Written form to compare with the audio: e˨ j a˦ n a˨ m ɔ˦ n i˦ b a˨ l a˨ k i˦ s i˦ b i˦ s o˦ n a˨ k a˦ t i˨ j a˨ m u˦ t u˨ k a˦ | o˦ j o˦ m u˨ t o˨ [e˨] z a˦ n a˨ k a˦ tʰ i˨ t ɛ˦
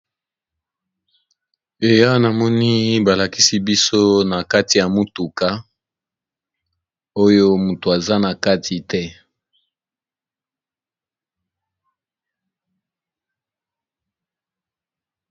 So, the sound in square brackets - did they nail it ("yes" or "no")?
no